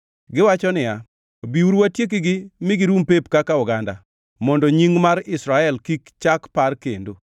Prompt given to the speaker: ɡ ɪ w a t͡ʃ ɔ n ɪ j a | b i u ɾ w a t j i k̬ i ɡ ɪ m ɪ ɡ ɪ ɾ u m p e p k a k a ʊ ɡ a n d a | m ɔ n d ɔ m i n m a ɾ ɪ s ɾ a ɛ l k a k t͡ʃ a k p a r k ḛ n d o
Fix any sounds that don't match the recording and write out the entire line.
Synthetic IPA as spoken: ɡ ɪ w a t͡ʃ ɔ n ɪ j a | b i u ɾ w a t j e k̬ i ɡ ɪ m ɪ ɡ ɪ ɾ u m p e p k a k a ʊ ɡ a n d a | m ɔ n d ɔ ɲ i ŋ m a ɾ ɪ s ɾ a ɛ l k i k t͡ʃ a k p a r k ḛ n d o